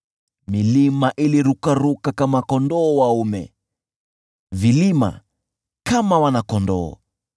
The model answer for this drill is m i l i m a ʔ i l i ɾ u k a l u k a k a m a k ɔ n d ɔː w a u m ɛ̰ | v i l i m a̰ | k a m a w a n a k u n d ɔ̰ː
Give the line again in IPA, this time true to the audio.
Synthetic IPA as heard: m i l i m a ʔ i l i ɾ u k a ɾ u k a k a m a k ɔ n d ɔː w a u m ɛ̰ | v i l i m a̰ | k a m a w a n a k ɔ n d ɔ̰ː